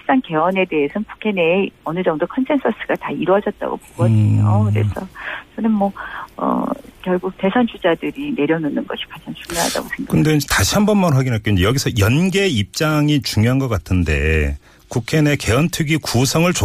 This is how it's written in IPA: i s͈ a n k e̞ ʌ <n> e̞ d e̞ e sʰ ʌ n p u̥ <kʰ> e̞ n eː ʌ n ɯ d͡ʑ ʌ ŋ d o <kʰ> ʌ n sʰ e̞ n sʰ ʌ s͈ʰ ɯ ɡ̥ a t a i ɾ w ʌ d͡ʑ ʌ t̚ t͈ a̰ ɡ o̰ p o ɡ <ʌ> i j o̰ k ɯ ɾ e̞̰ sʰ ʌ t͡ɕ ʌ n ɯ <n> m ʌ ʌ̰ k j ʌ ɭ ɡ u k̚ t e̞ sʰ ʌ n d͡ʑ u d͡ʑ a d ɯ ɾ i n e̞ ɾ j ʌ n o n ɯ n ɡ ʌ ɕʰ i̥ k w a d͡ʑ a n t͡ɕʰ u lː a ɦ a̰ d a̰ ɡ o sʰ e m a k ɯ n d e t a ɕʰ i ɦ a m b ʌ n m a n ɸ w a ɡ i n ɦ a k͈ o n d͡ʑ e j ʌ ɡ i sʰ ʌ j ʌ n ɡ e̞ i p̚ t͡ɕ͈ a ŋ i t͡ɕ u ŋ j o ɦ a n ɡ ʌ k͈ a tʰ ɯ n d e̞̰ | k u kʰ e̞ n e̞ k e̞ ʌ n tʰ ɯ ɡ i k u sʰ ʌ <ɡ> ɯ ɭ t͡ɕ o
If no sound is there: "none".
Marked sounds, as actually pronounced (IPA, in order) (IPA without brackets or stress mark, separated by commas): n, kʰ, kʰ, ʌ, n, ŋ